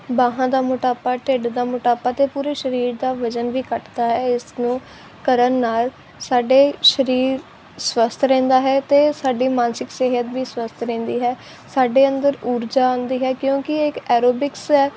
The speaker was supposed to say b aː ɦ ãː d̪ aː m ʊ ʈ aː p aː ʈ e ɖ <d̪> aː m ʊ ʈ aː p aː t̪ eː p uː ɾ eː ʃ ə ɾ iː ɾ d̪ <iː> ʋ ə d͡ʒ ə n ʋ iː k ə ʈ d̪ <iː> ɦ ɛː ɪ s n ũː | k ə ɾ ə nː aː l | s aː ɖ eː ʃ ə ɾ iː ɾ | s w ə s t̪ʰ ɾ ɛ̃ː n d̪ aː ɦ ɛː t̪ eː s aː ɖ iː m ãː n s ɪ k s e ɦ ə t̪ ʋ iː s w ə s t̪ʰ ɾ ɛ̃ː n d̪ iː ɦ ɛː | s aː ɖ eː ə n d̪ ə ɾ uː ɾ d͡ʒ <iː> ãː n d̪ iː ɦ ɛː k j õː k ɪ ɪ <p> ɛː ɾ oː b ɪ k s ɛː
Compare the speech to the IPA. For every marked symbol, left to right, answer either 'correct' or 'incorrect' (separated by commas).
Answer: correct, incorrect, incorrect, incorrect, incorrect